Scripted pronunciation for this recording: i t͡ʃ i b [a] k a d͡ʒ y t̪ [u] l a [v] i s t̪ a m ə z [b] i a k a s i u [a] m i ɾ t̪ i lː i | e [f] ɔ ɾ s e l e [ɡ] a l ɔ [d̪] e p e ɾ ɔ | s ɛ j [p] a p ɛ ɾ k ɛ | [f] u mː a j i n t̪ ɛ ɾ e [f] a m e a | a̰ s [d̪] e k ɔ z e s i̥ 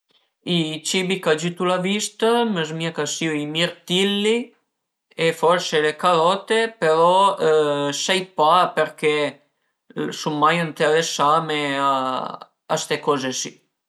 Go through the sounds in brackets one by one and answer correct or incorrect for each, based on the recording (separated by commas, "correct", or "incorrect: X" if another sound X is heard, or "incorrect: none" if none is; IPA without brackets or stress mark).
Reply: incorrect: i, correct, correct, incorrect: m, incorrect: i, correct, incorrect: k, incorrect: t̪, correct, incorrect: s, incorrect: s, incorrect: t̪